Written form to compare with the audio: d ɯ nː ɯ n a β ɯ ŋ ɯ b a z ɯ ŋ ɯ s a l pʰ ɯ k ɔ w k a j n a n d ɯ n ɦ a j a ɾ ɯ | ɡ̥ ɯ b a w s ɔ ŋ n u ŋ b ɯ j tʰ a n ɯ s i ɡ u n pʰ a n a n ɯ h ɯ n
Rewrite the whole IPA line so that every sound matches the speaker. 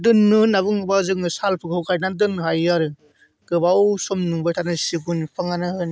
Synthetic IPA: d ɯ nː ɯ n a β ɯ ŋ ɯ b a z ɯ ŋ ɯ s a l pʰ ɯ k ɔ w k a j n a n d ɯ n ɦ a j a ɾ ɯ | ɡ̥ ɯ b a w s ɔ m n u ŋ b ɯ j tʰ a n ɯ s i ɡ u n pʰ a ŋ a n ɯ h ɯ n